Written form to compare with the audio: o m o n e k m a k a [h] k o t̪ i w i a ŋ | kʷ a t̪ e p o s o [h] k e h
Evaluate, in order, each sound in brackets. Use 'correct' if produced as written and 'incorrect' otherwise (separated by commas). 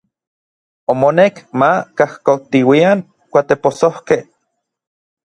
correct, correct